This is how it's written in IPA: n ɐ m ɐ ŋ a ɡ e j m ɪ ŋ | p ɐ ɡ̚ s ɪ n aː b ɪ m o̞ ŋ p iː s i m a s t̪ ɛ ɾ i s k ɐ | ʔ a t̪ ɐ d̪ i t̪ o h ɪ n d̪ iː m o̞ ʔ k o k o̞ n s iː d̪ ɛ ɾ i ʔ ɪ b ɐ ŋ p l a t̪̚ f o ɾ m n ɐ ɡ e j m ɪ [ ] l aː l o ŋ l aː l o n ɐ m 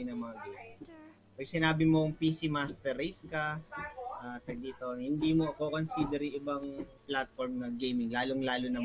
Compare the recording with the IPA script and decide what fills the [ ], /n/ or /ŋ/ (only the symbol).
ŋ